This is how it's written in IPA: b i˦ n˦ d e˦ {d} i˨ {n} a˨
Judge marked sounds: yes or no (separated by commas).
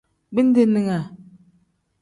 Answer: no, no